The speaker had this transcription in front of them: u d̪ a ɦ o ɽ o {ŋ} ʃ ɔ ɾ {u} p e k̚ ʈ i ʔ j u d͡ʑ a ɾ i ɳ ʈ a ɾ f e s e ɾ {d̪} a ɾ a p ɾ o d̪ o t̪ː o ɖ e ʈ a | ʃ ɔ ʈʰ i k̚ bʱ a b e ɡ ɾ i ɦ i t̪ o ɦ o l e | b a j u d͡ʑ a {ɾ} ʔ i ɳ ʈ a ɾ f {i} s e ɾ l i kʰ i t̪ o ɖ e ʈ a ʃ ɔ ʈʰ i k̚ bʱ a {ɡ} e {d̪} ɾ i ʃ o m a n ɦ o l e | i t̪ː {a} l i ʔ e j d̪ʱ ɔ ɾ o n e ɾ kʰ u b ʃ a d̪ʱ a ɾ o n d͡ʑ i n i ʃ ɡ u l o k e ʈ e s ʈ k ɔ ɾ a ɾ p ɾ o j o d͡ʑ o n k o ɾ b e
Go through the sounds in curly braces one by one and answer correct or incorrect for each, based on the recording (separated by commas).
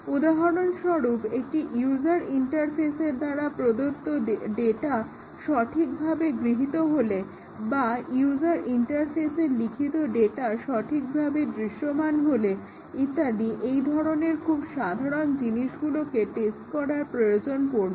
incorrect, correct, correct, correct, incorrect, incorrect, correct, correct